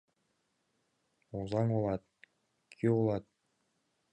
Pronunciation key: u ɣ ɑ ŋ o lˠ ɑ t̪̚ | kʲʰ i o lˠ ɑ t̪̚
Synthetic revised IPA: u z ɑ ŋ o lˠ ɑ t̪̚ | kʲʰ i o lˠ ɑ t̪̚